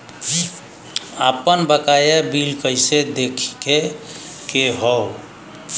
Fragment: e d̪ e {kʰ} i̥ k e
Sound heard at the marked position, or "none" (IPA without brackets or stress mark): kʰ